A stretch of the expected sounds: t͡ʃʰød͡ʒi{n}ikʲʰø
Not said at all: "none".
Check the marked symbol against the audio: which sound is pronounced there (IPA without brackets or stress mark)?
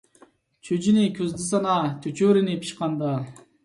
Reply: n